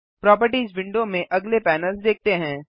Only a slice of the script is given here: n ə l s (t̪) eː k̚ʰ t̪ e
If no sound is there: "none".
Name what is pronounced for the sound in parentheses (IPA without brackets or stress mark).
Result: d̪